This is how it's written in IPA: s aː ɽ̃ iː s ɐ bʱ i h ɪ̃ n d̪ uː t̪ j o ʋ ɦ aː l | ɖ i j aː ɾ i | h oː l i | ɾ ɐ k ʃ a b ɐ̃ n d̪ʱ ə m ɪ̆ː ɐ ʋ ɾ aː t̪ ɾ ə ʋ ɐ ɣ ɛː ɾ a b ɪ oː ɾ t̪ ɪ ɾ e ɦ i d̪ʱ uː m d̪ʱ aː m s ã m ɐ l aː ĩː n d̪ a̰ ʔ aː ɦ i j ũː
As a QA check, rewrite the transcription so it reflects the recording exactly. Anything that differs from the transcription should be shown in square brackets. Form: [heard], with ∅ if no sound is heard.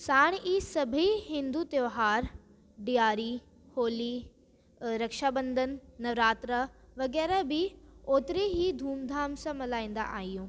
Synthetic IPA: s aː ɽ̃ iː s ɐ bʱ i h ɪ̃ n d̪ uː t̪ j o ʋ ɦ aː [ɾ] | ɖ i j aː ɾ i | h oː l i | ɾ ɐ k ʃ a b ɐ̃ n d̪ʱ ə [n] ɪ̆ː ɐ ʋ ɾ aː t̪ ɾ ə ʋ ɐ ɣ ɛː ɾ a b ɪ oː [∅] t̪ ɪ ɾ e ɦ i d̪ʱ uː m d̪ʱ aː m s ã m ɐ l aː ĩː n d̪ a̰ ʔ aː ɦ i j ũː